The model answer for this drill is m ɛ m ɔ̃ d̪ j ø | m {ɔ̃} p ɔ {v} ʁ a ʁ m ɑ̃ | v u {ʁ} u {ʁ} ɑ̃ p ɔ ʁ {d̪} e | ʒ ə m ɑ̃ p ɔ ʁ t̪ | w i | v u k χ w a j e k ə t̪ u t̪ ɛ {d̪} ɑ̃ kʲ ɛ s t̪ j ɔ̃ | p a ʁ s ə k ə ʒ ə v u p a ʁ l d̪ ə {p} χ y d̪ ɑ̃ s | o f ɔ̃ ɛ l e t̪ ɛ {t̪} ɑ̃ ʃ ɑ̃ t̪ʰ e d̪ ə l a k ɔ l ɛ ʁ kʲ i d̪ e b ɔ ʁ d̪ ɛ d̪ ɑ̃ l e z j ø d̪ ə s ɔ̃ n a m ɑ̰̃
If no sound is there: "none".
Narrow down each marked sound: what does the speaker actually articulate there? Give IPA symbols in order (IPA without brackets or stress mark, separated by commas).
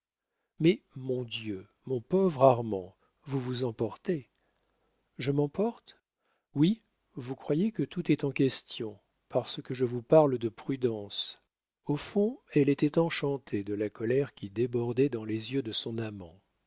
ɔ̃, v, v, z, t̪, t̪, p, t̪